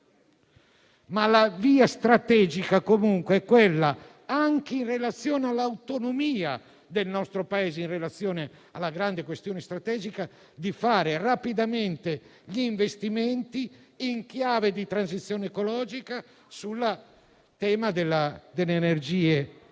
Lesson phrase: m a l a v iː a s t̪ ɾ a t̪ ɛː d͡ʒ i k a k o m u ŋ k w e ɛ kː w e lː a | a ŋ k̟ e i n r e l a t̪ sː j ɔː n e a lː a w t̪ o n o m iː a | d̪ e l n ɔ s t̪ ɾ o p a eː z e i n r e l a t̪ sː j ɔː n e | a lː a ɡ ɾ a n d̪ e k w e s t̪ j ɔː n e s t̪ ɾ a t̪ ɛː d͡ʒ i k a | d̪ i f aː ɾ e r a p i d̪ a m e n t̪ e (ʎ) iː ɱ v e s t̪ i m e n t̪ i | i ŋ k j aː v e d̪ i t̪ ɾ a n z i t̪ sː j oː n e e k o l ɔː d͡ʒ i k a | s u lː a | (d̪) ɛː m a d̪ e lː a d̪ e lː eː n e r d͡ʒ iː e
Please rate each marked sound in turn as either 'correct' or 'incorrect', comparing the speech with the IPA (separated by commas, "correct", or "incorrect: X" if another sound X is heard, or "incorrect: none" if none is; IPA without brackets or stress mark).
correct, incorrect: t̪